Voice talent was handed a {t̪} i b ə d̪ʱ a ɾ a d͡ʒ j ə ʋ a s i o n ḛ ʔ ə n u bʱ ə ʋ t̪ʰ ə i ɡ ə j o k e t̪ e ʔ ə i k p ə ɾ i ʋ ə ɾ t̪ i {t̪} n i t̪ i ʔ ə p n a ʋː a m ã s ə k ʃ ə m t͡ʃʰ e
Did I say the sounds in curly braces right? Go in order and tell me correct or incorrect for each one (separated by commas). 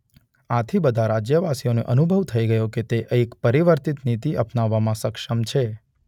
incorrect, correct